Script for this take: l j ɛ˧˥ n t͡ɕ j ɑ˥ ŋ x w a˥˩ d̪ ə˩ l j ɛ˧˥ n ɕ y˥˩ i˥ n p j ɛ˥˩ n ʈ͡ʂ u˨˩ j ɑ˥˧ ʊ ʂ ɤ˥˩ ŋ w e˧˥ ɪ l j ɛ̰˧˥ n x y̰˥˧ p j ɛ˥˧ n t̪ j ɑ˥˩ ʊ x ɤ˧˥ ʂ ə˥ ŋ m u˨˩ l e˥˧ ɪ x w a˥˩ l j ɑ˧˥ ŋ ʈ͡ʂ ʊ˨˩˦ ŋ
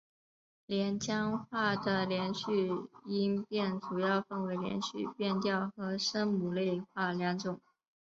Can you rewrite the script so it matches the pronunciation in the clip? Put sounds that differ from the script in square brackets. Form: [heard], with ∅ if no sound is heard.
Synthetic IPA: l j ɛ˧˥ n t͡ɕ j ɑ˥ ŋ x w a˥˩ d̪ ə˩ l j ɛ˧˥ n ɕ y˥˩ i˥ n p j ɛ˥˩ n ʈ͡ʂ u˨˩ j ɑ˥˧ ʊ [f] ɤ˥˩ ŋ w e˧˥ ɪ l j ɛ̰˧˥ n [ɕ] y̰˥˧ p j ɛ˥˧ n t̪ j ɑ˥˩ ʊ x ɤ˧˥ ʂ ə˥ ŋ m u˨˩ l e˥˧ ɪ x w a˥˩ l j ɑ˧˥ ŋ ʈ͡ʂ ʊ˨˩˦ ŋ